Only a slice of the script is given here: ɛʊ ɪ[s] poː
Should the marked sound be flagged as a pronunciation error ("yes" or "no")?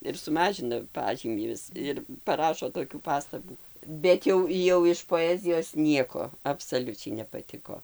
yes